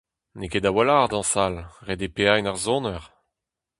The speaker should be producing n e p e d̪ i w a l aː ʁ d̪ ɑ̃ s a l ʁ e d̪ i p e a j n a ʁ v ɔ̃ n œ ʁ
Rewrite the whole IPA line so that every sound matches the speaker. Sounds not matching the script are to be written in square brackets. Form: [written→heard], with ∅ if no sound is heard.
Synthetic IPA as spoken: n e [p→k] e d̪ [i→a] w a l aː ʁ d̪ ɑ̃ s a l ʁ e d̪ [i→e] p e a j n a ʁ [v→z] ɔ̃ n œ ʁ